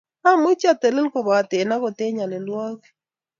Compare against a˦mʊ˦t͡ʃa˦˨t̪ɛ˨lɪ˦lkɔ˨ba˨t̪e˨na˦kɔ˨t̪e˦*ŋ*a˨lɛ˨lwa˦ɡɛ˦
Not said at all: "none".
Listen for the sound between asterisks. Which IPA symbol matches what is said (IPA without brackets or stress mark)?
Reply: ɲ